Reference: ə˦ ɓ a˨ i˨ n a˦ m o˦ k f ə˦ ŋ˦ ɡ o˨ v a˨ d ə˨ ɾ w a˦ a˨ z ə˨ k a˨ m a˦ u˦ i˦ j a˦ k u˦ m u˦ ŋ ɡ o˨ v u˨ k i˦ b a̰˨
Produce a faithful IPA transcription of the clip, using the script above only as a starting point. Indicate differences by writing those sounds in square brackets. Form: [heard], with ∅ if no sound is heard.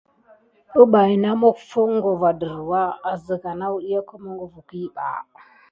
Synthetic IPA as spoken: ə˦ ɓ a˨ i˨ n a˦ m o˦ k f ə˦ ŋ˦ ɡ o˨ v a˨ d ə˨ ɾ w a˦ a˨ z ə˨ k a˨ [n] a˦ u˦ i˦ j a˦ k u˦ m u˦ ŋ ɡ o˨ v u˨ k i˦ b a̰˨